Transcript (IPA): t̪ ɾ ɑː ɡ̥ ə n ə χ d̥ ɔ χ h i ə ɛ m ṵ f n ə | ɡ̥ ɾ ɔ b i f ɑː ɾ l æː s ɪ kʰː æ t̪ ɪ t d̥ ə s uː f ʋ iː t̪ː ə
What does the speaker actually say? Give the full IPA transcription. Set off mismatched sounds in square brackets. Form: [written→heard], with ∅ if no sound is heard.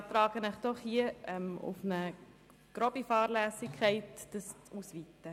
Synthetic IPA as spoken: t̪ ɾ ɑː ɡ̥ ə n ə χ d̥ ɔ χ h i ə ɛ m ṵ f n ə | ɡ̥ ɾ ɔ b i f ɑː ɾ l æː s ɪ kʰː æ [t̪→∅] ɪ t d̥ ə s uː [f→s] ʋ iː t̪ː ə

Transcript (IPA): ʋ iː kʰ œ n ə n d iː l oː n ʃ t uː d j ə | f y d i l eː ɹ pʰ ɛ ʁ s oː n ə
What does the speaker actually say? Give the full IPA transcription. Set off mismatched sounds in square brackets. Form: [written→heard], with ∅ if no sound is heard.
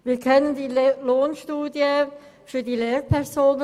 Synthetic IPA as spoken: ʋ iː kʰ œ n ə n d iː l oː n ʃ t uː d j ə | f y d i l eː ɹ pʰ ɛ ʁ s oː n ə

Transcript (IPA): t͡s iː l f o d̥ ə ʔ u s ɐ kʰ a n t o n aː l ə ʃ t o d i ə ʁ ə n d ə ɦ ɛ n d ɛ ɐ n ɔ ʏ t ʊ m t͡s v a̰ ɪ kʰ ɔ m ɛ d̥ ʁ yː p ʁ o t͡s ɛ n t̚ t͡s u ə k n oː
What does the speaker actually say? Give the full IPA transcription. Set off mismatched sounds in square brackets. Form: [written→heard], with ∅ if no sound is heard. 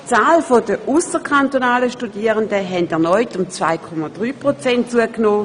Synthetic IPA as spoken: t͡s [iː→aː] l f o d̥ ə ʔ u s [ɐ→ə] kʰ a n t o n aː l ə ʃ t [o→u] d i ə ʁ ə n d ə ɦ ɛ n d ɛ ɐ n ɔ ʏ t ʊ m t͡s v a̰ ɪ kʰ ɔ m [ɛ→a] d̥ ʁ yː p ʁ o t͡s ɛ n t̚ t͡s u ə k n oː

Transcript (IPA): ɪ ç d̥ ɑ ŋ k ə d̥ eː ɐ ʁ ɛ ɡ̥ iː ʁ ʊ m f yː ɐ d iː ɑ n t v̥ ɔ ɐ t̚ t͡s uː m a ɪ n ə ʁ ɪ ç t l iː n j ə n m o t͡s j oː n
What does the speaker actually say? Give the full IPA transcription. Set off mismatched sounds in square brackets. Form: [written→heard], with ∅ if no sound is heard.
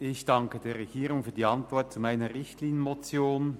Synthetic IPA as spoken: ɪ ç d̥ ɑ ŋ k ə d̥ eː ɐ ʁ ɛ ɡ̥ iː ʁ ʊ [m→ŋ] f yː ɐ d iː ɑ n t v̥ ɔ ɐ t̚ t͡s [uː→u] m a ɪ n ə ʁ ɪ ç t l iː n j ə n m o t͡s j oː n

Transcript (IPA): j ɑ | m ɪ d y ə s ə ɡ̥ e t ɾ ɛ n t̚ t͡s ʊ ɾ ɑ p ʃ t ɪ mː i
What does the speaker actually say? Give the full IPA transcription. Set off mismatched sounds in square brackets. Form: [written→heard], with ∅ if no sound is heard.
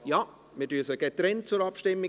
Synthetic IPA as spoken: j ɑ | m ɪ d y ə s ə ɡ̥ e t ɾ ɛ n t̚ t͡s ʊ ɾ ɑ p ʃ t ɪ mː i

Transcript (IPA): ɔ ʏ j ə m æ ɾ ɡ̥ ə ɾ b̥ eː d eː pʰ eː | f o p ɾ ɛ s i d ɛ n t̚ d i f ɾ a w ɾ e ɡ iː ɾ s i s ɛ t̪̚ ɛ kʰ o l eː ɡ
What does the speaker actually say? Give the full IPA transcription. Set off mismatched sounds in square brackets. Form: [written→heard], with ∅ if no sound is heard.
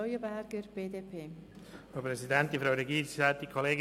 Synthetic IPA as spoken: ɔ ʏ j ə [m→b] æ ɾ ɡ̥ ə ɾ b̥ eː d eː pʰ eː | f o p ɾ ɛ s i d ɛ n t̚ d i f ɾ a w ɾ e ɡ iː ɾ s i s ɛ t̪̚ [ɛ→i] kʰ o l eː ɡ

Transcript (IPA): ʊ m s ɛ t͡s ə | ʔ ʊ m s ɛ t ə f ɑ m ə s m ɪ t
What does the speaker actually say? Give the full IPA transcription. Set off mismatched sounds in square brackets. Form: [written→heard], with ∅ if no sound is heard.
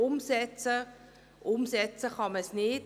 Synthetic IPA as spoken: ʊ m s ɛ t͡s ə | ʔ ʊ m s ɛ [t→t͡s] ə [f→χ] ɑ m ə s [m→n] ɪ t

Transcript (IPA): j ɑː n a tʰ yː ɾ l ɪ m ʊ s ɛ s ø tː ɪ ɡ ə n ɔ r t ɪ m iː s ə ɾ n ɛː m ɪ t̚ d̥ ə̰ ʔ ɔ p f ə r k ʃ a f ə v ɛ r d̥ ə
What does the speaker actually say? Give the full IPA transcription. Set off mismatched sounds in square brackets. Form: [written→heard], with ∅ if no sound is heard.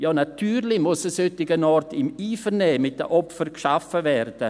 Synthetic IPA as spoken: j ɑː n a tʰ yː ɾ l ɪ m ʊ s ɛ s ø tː ɪ ɡ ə n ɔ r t ɪ m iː [s→f] ə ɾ n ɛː m ɪ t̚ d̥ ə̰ ʔ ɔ p f ə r k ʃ a f ə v ɛ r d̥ ə

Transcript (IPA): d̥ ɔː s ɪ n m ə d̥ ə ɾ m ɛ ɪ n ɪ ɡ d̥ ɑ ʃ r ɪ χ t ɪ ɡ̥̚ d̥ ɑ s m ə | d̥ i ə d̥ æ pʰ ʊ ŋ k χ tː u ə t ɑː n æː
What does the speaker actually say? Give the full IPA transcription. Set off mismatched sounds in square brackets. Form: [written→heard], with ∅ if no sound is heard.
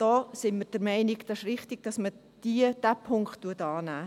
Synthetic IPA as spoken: d̥ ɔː s ɪ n m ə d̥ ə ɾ m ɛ ɪ n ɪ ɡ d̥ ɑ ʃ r ɪ χ t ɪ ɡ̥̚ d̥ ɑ s m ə | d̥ i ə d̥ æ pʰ ʊ ŋ k χ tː u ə t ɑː n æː

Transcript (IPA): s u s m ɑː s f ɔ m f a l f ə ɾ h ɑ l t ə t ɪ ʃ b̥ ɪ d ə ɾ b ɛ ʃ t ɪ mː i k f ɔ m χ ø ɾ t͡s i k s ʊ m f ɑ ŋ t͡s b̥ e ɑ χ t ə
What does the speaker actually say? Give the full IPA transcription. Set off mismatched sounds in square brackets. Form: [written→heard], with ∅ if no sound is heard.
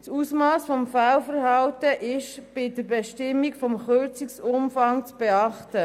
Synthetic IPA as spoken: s u s m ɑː s f ɔ m f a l f ə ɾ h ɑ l t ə [t→ʔ] ɪ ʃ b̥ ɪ d ə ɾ b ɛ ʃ t ɪ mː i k f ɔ m χ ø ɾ t͡s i k s ʊ m f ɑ ŋ t͡s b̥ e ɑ χ t ə

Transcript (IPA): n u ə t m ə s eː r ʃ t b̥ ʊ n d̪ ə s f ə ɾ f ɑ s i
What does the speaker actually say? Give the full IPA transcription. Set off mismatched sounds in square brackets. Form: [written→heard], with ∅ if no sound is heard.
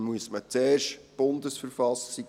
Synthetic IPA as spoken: [n→m] u ə [t→s] m ə [s→t͡s] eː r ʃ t b̥ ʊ n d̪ ə s f ə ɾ f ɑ s i

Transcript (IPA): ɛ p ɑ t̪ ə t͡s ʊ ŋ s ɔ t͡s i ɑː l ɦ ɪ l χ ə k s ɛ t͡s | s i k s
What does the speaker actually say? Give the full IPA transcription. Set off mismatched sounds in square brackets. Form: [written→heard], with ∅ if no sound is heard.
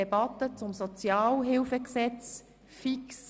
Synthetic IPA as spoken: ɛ [p→b] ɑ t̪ ə t͡s ʊ [ŋ→m] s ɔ t͡s [i→j] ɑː l ɦ ɪ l [χ→f] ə k s ɛ t͡s | [s→f] i k s

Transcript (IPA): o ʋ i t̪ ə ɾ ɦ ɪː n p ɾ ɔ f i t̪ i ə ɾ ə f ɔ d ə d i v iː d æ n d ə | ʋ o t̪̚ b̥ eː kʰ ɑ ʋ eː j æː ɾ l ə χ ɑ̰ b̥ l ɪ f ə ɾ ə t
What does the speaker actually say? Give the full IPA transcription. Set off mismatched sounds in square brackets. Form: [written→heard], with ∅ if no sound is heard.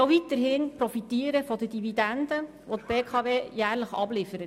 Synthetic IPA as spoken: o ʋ i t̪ ə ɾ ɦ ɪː n p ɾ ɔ f i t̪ [i→iː] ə ɾ ə f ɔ d ə d i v [iː→i] d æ n d ə | ʋ o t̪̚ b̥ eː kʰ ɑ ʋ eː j æː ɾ l ə χ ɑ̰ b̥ l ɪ f ə ɾ ə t

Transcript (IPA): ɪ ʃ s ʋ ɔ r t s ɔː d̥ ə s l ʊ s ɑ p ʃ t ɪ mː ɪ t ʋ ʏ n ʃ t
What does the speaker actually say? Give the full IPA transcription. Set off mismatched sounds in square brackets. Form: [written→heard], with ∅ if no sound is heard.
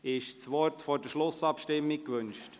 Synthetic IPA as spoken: ɪ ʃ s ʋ ɔ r t [s→f] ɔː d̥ ə [s→ʃ] l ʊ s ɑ p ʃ t ɪ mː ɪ [t→k] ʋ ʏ n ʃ t

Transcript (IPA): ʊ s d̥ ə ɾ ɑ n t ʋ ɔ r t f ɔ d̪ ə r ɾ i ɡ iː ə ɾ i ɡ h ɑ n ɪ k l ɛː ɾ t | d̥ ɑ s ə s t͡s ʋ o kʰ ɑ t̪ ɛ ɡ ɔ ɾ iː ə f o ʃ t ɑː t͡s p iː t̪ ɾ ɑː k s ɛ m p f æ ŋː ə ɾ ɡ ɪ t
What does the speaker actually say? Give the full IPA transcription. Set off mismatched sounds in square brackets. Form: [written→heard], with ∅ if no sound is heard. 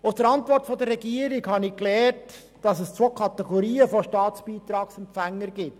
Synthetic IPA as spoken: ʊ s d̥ ə ɾ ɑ n t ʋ ɔ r t f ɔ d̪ ə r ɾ [i→ɛ] ɡ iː ə ɾ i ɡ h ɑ n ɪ k l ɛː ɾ t | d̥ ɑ s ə s t͡s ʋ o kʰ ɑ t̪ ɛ ɡ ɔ ɾ iː ə f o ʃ t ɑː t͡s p iː t̪ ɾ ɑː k s ɛ m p f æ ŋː ə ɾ ɡ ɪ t

